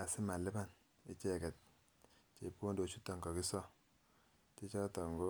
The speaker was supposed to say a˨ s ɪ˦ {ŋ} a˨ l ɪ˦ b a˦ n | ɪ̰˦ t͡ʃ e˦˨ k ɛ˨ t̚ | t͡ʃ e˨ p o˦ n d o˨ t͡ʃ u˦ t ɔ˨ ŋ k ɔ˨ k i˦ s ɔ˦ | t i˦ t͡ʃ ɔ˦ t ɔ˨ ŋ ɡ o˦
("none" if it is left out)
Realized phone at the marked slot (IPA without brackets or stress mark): m